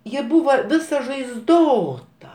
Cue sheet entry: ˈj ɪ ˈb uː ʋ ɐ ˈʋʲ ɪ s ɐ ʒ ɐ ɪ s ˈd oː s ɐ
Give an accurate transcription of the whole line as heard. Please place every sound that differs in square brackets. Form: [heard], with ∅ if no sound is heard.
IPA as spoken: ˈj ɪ ˈb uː ʋ ɐ ˈʋʲ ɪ s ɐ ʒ ɐ ɪ [z] ˈd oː [t] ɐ